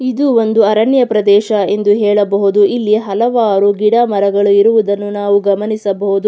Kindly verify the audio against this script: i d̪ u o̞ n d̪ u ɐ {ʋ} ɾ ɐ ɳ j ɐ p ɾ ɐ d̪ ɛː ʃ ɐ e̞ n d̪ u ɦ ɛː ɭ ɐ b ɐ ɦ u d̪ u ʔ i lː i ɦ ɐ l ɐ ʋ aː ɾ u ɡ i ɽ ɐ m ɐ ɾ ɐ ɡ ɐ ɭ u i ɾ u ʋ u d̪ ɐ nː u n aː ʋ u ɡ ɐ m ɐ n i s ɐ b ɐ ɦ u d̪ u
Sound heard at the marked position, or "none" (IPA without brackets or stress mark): none